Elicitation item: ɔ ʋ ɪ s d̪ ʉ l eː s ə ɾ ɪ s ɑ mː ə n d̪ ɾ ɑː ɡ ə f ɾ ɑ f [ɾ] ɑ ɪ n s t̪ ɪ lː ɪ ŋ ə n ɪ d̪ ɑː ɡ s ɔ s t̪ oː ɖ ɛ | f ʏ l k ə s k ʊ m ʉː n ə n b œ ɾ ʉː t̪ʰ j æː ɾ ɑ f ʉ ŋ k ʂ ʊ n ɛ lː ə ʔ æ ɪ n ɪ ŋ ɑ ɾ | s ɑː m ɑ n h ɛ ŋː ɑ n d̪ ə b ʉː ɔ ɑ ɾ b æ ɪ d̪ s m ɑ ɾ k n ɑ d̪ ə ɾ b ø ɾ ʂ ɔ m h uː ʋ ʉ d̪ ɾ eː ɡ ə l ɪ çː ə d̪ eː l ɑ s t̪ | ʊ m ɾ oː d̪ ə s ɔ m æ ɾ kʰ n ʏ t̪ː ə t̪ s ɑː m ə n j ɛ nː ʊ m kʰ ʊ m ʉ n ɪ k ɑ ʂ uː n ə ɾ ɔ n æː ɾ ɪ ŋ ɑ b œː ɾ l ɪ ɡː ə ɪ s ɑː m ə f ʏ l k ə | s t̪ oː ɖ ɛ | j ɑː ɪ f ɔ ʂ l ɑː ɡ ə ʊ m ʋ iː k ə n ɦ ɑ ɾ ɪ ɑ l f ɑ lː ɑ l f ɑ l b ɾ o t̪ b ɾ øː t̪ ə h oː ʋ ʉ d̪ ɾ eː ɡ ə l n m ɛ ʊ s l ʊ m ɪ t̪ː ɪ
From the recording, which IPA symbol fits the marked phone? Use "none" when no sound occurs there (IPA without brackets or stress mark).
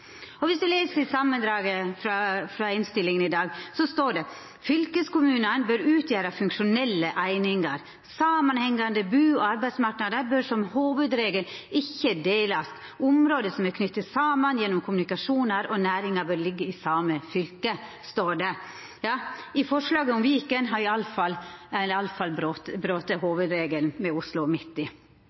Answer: ɾ